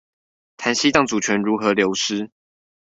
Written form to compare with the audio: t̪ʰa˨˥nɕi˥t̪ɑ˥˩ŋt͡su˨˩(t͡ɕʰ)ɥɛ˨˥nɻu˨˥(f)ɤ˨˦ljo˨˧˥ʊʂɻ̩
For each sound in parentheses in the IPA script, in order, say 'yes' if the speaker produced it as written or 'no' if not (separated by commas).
yes, no